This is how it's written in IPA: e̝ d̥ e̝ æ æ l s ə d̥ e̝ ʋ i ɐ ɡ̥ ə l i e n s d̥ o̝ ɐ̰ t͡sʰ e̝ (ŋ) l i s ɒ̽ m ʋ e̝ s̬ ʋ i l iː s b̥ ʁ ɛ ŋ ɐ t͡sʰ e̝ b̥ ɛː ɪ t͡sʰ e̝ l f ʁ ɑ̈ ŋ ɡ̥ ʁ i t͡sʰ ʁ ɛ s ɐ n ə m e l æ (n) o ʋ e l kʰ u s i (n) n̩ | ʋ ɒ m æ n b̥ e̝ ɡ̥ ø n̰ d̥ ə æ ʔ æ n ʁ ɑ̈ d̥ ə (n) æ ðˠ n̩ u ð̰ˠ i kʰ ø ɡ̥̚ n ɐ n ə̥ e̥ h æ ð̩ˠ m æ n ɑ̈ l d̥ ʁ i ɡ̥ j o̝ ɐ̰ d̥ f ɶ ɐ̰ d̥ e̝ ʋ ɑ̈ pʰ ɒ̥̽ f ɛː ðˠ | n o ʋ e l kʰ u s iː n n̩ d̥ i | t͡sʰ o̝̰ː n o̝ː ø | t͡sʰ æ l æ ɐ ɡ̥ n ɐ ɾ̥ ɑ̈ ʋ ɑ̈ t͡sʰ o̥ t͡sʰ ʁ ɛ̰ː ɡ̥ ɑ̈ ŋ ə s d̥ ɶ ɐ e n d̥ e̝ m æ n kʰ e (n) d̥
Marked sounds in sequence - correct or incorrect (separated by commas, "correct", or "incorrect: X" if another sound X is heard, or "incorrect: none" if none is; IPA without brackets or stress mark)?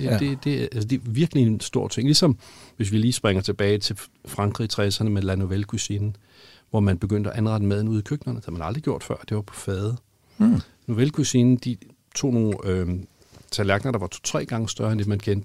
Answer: correct, correct, correct, incorrect: m, correct